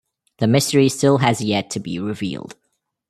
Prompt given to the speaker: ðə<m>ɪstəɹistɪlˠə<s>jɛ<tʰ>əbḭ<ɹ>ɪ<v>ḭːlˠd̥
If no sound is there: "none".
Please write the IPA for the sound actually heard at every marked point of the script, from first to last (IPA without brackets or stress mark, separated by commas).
m, z, tʰ, ɹ, v